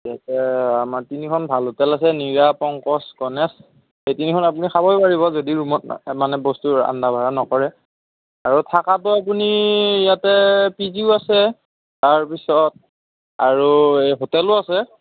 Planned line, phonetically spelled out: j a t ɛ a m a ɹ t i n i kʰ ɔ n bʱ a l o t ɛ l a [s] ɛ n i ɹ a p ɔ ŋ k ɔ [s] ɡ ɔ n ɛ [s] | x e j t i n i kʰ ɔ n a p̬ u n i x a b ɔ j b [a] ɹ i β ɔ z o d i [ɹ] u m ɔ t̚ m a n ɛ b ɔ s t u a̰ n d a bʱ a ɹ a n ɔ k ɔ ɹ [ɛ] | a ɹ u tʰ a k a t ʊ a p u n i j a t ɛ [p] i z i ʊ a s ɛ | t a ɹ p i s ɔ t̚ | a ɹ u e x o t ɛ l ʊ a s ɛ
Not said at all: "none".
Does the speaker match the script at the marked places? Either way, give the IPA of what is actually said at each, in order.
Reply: s, s, s, a, ɹ, ɛ, p

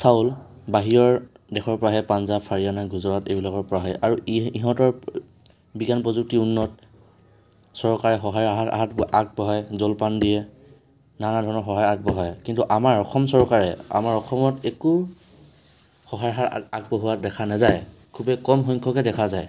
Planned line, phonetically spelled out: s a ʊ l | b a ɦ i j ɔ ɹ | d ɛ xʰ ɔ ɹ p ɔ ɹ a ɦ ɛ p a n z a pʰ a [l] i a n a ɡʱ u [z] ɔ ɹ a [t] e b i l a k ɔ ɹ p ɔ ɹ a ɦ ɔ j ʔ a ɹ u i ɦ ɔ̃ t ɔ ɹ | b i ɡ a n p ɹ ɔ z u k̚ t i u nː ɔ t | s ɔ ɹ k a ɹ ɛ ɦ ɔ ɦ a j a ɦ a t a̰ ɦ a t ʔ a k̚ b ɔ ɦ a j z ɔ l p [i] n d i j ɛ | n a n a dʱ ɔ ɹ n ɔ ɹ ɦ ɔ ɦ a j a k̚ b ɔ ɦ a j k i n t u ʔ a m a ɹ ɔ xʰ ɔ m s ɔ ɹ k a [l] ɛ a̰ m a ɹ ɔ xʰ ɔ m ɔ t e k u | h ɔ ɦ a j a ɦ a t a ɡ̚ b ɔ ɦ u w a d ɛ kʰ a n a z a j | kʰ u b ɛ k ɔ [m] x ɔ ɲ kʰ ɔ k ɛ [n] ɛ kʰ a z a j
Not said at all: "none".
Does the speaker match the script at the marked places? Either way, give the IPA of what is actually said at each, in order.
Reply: ɹ, z, t, a, ɹ, m, d

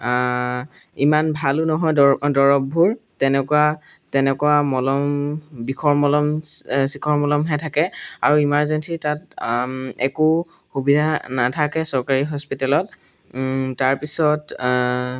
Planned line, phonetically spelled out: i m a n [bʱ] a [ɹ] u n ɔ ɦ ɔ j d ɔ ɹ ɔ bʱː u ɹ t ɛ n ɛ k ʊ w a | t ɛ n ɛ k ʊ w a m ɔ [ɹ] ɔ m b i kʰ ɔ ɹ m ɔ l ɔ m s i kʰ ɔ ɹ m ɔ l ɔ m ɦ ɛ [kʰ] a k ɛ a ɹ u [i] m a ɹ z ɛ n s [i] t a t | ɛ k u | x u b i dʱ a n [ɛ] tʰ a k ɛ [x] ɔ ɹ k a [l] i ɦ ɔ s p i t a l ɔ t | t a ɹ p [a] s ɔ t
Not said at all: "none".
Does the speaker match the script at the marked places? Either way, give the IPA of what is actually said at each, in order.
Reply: bʱ, l, l, tʰ, i, i, a, s, ɹ, i

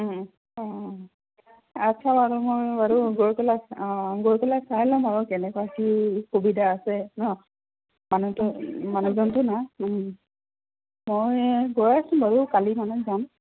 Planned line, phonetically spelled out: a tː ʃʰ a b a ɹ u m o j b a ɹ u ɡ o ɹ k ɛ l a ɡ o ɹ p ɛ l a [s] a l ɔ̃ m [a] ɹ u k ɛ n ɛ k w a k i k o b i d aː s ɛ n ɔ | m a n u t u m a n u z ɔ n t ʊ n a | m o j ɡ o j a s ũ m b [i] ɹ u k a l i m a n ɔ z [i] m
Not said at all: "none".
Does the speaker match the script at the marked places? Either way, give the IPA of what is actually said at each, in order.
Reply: s, a, a, a

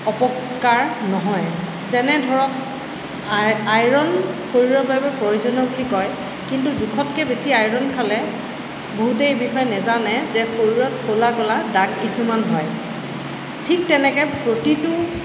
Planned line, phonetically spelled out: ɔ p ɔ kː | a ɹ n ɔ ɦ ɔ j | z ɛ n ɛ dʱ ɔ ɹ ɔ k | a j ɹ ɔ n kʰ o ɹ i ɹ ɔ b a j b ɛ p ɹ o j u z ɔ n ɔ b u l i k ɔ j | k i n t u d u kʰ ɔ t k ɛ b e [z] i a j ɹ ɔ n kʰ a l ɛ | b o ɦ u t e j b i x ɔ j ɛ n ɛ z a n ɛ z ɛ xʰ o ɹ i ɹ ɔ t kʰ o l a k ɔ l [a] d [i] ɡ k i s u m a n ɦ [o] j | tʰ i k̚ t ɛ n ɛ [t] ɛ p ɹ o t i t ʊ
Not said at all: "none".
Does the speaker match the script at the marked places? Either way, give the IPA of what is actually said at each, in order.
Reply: s, a, a, ɔ, k

